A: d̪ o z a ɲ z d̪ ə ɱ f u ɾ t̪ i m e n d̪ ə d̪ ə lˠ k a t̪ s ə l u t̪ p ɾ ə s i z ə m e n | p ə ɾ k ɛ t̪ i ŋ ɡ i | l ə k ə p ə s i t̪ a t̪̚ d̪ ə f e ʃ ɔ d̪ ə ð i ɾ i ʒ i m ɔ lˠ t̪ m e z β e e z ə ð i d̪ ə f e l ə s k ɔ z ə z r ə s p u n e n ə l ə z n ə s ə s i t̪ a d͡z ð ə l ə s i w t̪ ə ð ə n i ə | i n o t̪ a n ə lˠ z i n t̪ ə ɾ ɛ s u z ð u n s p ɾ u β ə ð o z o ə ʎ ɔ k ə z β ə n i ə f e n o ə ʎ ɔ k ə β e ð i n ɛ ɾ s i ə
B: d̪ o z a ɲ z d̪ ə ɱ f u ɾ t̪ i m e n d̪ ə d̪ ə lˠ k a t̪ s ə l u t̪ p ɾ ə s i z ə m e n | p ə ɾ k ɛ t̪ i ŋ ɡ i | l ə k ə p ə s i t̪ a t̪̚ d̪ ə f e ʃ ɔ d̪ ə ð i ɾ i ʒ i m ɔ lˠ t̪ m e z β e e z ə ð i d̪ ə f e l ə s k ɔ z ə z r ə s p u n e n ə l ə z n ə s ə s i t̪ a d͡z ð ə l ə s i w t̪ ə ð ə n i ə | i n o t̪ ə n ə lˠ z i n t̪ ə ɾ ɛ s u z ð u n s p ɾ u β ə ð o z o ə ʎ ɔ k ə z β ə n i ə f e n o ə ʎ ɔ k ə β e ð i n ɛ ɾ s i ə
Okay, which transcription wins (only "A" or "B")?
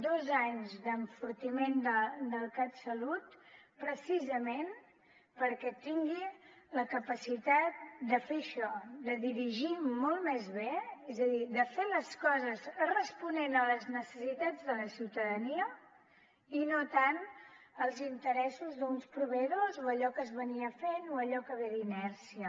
A